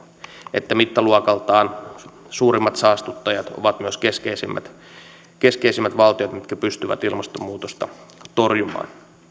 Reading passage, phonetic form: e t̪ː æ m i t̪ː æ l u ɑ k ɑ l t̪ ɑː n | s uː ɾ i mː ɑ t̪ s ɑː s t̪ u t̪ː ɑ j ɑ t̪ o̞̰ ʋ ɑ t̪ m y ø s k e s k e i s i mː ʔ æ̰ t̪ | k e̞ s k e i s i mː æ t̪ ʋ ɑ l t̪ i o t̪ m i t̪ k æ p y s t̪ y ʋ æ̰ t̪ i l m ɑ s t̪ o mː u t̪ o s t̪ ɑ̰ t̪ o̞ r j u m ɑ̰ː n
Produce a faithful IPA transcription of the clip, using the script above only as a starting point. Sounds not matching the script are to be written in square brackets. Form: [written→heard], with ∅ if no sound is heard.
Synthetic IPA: e t̪ː æ m i t̪ː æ l u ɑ k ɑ l t̪ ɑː n | s uː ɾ i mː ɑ t̪ s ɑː s t̪ u t̪ː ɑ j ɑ t̪ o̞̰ ʋ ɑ t̪ m y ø s k e s k e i s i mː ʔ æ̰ t̪ | k e̞ s k e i s i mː æ t̪ ʋ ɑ l t̪ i o t̪ m i t̪ k æ p y s t̪ y ʋ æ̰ t̪ i l m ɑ s t̪ o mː [u→uː] t̪ o s t̪ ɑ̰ t̪ o̞ r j u m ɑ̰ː n